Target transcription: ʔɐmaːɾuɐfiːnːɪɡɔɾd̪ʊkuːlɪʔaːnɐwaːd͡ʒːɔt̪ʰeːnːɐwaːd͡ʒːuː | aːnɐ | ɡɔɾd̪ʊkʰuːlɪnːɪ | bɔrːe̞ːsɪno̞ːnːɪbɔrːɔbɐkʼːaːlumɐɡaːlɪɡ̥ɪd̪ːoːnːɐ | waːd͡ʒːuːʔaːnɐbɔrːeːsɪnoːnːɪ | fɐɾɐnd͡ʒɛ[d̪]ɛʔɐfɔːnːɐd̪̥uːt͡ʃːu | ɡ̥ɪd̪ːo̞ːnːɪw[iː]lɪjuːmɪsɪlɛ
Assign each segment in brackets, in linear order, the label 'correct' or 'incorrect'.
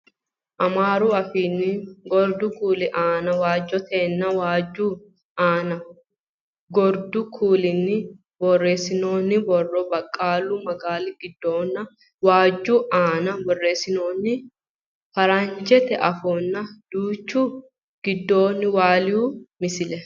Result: incorrect: t̪, incorrect: aː

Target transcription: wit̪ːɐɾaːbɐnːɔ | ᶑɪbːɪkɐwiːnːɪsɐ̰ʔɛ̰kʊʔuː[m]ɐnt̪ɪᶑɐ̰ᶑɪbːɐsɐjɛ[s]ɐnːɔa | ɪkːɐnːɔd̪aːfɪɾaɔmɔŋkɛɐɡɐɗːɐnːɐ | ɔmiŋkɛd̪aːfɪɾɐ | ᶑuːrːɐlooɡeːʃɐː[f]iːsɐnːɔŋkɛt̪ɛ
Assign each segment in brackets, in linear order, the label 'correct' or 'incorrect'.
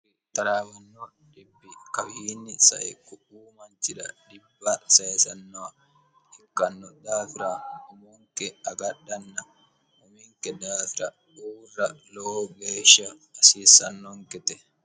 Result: correct, correct, incorrect: s

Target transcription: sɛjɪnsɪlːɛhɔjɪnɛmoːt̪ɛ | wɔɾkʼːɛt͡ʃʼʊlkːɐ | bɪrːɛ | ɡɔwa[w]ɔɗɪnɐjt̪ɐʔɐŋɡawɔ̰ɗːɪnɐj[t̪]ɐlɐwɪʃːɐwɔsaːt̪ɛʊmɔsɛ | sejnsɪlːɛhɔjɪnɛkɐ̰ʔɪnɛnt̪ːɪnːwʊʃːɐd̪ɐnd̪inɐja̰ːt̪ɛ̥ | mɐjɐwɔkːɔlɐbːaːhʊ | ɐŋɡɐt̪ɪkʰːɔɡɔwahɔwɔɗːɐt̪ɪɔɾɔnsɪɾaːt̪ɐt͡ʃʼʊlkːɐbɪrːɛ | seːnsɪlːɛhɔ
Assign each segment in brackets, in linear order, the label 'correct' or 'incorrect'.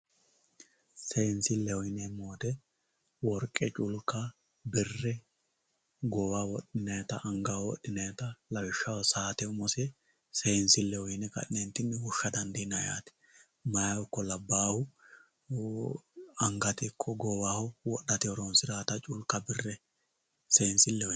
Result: correct, correct

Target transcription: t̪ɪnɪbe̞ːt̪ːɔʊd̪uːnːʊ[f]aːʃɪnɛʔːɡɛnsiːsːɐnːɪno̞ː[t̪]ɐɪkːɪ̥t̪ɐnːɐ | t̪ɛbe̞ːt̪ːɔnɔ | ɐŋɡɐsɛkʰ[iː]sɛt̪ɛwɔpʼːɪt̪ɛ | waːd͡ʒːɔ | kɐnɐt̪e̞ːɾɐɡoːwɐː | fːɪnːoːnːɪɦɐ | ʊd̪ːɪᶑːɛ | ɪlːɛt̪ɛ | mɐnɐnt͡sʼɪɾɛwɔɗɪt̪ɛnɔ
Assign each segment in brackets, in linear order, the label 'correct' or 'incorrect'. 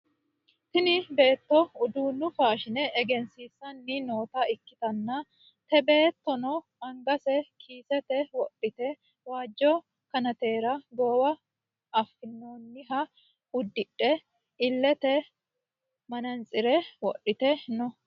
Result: correct, correct, correct

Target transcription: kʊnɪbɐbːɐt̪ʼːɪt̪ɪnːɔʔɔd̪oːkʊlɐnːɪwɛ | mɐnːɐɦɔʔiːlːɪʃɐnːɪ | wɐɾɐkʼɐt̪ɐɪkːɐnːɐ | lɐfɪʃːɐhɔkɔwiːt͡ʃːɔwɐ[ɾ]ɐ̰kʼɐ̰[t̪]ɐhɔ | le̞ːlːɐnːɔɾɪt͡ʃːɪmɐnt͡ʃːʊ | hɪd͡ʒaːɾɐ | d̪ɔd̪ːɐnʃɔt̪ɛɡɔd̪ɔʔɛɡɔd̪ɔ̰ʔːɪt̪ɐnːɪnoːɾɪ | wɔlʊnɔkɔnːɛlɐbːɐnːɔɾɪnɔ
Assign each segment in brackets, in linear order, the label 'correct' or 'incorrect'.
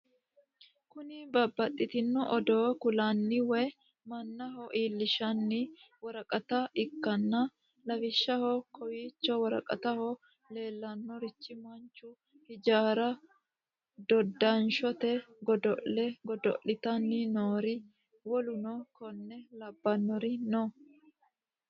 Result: correct, correct

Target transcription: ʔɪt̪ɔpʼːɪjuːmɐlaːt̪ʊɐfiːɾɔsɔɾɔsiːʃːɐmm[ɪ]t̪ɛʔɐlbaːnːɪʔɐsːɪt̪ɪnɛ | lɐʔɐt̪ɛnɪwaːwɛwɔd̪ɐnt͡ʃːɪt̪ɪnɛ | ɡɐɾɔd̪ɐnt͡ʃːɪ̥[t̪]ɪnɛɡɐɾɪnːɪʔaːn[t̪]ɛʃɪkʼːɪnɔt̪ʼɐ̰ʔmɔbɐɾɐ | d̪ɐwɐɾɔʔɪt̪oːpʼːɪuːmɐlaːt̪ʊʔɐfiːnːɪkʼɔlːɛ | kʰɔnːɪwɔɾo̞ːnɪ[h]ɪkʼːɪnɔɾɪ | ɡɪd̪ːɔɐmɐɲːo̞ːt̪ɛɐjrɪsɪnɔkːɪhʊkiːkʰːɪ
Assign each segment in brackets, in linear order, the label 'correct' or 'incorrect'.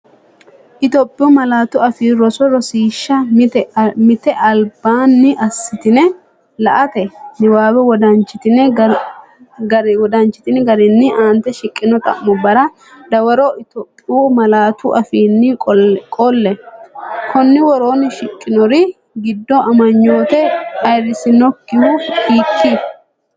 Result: correct, correct, correct, incorrect: ʃ

